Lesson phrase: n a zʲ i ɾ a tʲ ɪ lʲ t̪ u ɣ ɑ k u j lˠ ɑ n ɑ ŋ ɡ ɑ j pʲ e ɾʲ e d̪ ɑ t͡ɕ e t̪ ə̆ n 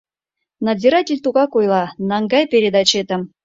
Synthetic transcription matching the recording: n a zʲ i ɾ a tʲ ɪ lʲ t̪ u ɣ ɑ k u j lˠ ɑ n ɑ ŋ ɡ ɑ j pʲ e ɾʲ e d̪ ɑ t͡ɕ e t̪ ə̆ m

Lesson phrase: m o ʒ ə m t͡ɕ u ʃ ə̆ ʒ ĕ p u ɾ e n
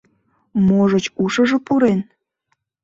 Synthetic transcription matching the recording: m o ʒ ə t͡ɕ u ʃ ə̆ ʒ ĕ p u ɾ e n

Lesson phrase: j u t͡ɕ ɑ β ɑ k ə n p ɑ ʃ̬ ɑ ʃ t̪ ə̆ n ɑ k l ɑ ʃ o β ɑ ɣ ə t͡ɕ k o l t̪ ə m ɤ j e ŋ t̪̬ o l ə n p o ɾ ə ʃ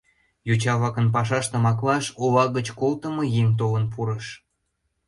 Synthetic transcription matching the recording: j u t͡ɕ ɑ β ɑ k ə n p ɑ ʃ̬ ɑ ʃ t̪ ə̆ m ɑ k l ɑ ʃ o β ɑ ɣ ə t͡ɕ k o l t̪ ə m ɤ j e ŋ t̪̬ o l ə n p u ɾ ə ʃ

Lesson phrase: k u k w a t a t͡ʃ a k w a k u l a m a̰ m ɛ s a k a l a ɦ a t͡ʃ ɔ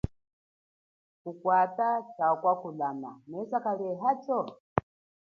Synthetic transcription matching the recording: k u k w a t a t͡ʃ a k w a k u l a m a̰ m ɛ s a k a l ɛ ɦ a t͡ʃ ɔ

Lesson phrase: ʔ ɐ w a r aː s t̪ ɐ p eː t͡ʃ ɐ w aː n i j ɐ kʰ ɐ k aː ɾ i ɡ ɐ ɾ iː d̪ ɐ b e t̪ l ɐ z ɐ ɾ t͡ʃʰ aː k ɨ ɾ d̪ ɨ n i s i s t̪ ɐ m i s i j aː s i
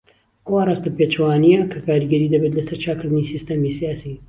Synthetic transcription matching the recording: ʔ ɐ w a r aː s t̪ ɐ p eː t͡ʃ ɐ w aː n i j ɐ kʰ ɐ k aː ɾ i ɡ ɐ ɾ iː d̪ ɐ b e t̪ l ɐ s ɐ ɾ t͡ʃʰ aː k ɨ ɾ d̪ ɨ n i s i s t̪ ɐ m i s i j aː s i

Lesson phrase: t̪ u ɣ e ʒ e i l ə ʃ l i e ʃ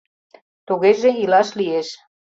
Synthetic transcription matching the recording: t̪ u ɣ e ʒ e i l ɑ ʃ l i e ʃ

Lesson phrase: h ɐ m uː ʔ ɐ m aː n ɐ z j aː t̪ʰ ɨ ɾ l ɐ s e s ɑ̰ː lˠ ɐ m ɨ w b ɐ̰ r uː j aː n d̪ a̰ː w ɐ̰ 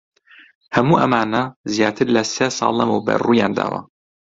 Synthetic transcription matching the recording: h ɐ m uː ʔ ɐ m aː n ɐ z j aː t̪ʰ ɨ ɾ l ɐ s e s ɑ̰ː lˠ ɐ m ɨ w b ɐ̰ r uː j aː n d̪ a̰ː w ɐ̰

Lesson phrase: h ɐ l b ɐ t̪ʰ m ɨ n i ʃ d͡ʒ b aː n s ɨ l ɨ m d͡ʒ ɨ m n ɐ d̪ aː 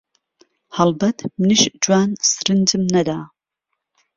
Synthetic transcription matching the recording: h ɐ l b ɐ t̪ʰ m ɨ n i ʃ d͡ʒ w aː n s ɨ ɾ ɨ n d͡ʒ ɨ m n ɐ d̪ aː

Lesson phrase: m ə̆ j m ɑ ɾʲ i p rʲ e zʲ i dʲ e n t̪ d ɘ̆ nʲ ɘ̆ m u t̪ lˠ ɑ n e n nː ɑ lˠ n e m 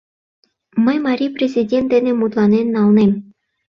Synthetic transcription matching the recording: m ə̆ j m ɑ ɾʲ i p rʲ e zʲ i dʲ e n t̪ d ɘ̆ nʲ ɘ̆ m u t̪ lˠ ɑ n e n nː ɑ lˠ n e m

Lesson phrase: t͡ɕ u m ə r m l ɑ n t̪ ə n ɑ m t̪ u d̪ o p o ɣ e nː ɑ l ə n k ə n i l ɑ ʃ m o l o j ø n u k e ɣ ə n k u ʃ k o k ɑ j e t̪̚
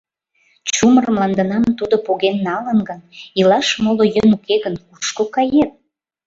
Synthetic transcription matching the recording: t͡ɕ u m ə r m l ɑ n d̪ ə n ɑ m t̪ u d̪ o p o ɣ e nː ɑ l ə n ɡ ə n i l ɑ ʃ m o l o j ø n u k e ɣ ə n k u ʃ k o k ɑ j e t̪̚

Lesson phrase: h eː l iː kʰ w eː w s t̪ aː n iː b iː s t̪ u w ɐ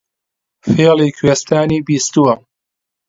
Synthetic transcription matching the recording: f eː l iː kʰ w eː s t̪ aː n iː b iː s t̪ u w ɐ

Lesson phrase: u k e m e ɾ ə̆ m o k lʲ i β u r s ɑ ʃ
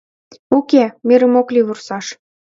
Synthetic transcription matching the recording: u k e m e ɾ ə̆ m o k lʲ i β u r s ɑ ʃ

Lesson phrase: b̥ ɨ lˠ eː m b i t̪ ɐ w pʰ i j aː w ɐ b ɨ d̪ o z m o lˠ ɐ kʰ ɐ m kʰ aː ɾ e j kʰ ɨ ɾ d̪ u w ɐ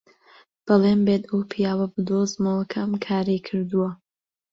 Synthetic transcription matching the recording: b̥ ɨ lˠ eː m b e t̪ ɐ w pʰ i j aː w ɐ b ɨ d̪ o z m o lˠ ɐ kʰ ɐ m kʰ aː ɾ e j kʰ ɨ ɾ d̪ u w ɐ

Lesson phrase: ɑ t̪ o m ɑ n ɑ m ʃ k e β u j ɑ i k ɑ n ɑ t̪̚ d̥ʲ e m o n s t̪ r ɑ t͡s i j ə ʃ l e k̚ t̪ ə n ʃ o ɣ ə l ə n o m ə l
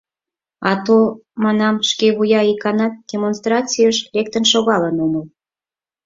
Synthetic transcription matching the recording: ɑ t̪ o m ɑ n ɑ m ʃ k e β u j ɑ i k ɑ n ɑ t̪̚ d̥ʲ e m o n s t̪ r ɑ t͡s i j ə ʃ l e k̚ t̪ ə n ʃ o ɣ ɑ l ə n o m ə l

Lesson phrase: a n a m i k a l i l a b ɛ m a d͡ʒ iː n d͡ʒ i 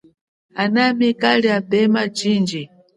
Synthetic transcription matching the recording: a n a m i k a l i a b ɛ m a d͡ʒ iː n d͡ʒ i

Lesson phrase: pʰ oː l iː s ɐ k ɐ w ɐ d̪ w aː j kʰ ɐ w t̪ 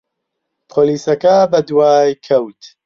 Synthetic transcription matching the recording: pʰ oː l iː s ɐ k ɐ b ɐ d̪ w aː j kʰ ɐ w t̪

